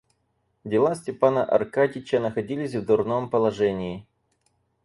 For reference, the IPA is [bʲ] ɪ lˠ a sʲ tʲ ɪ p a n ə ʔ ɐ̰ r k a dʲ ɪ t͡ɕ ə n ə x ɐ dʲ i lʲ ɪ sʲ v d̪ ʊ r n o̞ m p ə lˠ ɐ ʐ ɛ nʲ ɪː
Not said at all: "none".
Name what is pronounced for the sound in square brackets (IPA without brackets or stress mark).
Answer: dʲ